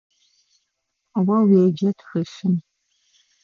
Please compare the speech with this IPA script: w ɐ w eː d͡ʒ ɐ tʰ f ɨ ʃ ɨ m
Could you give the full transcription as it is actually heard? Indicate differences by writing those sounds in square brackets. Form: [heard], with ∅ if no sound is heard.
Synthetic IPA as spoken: w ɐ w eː d͡ʒ ɐ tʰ [x] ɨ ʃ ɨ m